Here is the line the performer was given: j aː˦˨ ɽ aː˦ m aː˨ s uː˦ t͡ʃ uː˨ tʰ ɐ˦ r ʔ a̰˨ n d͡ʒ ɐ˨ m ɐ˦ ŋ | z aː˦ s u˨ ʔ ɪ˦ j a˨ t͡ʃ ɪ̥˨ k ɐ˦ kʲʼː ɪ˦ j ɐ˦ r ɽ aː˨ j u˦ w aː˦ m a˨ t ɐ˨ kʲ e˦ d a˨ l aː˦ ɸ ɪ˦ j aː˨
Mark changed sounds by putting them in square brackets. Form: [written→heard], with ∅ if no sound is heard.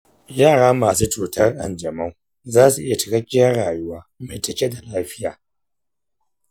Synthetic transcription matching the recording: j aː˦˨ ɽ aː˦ m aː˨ s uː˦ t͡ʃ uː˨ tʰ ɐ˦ r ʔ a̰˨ n d͡ʒ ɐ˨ m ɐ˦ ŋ | z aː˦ s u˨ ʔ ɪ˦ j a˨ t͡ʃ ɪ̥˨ k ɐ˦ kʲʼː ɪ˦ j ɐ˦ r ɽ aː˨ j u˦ w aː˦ m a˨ t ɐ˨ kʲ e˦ d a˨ l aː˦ ɸ ɪ˦ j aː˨